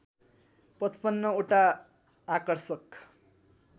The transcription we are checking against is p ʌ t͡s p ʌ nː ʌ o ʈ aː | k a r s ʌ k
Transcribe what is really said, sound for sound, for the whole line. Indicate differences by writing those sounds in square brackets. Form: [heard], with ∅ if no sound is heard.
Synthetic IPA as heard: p ʌ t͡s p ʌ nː ʌ o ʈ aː | k [ʌ] r s ʌ k

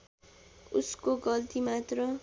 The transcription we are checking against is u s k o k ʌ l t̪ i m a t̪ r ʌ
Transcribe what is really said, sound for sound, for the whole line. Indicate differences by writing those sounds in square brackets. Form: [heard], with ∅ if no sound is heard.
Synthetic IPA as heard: u s k o [ɡ] ʌ l t̪ i m a t̪ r ʌ

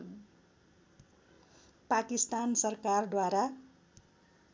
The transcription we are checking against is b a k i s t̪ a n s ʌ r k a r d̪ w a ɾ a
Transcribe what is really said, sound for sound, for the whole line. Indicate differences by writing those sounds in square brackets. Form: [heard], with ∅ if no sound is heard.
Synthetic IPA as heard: [p] a k i s t̪ a n s ʌ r k a r d̪ w a ɾ a

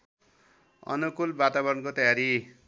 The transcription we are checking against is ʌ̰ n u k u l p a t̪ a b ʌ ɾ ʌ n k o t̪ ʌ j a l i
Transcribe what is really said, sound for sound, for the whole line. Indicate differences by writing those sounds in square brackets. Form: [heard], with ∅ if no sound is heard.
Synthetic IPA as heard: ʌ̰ n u k u l [b] a t̪ a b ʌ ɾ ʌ n k o t̪ ʌ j a [ɾ] i

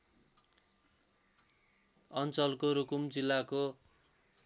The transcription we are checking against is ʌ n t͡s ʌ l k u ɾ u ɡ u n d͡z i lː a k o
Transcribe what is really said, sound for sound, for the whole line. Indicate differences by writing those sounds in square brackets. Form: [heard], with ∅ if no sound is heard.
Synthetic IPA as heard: ʌ n t͡s ʌ l k [o] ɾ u [k] u [m] d͡z i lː a k o

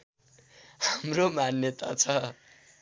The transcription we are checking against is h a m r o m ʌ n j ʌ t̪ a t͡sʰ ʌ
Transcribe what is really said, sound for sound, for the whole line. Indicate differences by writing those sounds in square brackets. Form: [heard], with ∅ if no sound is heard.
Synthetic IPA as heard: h a m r o m [a] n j ʌ t̪ a t͡sʰ ʌ

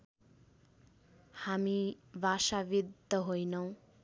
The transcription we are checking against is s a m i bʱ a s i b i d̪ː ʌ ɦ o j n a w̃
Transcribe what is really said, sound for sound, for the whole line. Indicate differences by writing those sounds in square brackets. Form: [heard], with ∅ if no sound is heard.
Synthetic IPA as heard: [h] a m i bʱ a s [a] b i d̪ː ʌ ɦ o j n [ʌ] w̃

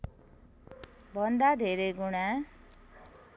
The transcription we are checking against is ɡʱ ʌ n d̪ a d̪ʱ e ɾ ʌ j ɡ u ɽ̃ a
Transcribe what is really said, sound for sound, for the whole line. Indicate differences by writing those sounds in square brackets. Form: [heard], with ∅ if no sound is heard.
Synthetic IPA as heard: [bʱ] ʌ n d̪ a d̪ʱ e ɾ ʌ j ɡ u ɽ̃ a

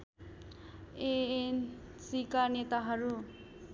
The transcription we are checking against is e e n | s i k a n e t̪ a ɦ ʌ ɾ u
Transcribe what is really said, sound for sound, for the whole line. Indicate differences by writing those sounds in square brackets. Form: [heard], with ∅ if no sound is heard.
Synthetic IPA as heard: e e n | s i k a n e t̪ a ɦ ʌ ɾ u

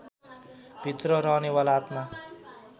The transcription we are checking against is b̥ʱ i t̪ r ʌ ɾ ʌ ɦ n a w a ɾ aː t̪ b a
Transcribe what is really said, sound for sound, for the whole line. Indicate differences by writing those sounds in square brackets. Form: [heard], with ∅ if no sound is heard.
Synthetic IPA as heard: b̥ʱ i t̪ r ʌ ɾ ʌ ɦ n [e] w a [l] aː t̪ [m] a

